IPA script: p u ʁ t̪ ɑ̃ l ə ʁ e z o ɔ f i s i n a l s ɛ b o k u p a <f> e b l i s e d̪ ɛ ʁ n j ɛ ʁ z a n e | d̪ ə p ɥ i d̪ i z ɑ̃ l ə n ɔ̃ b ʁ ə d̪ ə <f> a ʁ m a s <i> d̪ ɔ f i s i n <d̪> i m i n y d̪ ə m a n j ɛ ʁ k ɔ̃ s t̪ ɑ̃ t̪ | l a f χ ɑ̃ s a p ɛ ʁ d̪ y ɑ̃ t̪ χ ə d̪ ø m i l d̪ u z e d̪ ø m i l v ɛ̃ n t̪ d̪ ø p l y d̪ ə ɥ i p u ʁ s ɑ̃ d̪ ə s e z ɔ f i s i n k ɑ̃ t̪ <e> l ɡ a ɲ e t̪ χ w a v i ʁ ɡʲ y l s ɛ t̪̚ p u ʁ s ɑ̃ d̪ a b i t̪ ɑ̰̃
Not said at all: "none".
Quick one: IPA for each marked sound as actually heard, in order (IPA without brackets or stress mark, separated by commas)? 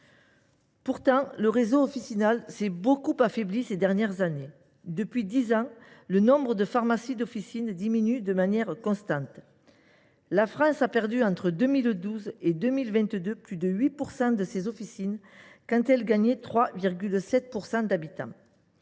f, f, i, d̪, ɛ